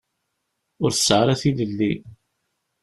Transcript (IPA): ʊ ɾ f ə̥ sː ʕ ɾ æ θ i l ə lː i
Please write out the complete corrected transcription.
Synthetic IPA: ʊ ɾ θ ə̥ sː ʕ ɾ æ θ i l ə lː i